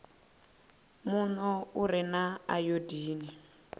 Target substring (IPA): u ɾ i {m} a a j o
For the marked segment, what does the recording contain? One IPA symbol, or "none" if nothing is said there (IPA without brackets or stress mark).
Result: n